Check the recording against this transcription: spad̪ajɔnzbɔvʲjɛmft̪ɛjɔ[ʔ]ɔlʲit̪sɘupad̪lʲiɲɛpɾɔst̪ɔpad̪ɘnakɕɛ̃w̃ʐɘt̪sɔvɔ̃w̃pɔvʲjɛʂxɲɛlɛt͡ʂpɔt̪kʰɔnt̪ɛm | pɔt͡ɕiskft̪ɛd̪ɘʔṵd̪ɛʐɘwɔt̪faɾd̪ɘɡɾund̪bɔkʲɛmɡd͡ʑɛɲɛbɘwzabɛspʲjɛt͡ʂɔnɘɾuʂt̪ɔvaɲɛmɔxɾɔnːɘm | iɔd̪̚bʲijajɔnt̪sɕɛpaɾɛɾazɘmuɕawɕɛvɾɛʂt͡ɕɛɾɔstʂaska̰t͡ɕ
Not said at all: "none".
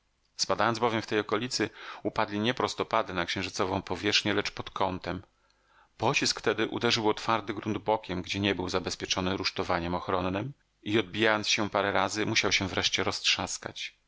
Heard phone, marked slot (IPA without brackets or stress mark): k